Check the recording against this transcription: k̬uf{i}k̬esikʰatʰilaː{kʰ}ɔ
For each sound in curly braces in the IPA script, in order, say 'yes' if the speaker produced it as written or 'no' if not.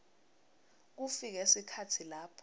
yes, no

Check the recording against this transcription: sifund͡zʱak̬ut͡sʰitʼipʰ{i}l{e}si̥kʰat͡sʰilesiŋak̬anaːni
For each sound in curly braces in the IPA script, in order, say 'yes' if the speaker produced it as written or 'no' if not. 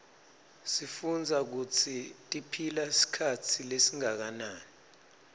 yes, no

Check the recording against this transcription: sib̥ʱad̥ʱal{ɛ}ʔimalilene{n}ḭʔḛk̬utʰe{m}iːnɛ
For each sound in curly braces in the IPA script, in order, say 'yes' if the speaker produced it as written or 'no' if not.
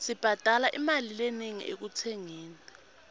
no, no, no

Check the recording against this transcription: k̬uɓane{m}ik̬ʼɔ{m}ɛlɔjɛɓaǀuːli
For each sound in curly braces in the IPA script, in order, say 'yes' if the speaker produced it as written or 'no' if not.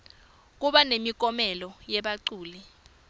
yes, yes

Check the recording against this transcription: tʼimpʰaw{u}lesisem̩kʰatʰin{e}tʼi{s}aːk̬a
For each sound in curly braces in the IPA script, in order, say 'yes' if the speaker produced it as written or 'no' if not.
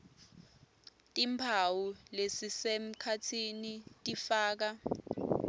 yes, no, no

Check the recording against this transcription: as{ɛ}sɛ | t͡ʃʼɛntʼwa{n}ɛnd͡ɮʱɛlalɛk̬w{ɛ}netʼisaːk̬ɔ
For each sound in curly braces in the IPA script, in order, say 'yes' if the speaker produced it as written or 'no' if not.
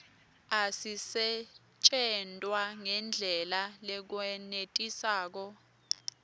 no, no, yes

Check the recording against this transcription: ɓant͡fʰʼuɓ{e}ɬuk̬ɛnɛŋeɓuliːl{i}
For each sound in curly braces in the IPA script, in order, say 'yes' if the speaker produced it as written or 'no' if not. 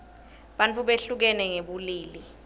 yes, yes

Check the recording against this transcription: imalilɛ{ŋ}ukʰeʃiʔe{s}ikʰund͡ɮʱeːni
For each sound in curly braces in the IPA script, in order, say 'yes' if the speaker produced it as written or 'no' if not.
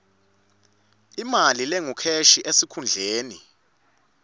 yes, yes

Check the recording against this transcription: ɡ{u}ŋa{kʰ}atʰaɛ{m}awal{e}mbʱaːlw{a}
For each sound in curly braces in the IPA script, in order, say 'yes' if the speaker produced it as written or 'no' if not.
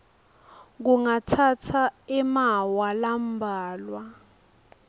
yes, no, yes, no, yes

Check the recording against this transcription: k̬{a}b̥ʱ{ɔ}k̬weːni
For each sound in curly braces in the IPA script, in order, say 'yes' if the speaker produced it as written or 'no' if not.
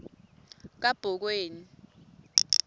yes, yes

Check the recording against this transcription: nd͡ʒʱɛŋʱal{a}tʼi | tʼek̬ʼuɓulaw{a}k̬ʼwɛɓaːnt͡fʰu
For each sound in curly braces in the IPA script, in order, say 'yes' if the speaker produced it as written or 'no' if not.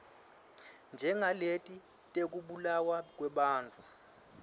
no, yes

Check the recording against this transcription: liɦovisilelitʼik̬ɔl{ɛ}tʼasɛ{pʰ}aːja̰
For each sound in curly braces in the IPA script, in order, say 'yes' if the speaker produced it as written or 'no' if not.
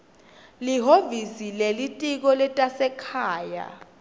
yes, no

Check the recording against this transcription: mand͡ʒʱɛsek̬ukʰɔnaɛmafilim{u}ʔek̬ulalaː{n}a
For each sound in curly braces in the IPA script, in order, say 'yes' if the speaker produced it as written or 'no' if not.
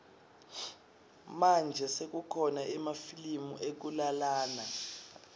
yes, yes

